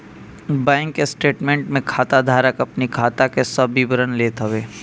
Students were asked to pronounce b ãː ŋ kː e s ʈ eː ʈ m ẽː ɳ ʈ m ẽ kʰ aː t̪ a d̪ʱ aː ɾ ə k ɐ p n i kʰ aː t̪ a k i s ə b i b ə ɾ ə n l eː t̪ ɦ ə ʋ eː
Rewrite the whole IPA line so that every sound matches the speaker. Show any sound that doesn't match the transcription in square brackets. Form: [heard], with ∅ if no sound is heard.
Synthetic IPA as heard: b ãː ŋ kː e s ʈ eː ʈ m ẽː ɳ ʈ m ẽ kʰ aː t̪ a d̪ʱ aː ɾ ə k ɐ p n i kʰ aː t̪ a k [e] s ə b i b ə ɾ ə n l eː t̪ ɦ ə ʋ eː